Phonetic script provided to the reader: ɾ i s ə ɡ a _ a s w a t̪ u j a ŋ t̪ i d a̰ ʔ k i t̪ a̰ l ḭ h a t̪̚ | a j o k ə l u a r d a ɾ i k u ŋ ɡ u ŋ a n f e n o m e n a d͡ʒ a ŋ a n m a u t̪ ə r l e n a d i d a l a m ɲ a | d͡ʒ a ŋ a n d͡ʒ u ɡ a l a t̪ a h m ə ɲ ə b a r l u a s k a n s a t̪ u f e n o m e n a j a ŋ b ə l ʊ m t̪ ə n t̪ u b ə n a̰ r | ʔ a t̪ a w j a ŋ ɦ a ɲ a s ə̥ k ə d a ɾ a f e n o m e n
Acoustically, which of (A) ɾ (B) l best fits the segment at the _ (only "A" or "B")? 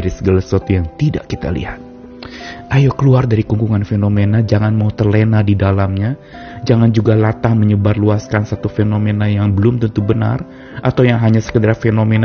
B